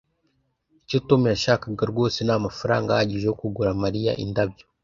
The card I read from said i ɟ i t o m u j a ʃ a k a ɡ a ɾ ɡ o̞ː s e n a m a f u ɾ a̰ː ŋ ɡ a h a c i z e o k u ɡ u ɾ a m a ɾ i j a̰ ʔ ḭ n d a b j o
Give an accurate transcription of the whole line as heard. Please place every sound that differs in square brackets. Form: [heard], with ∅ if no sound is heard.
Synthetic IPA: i [c] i t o m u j a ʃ a k a ɡ a ɾ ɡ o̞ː s e n a m a f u ɾ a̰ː ŋ ɡ a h a [ɟ] i [ʒ] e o k u ɡ u ɾ a m a ɾ i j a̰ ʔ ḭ n d a b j o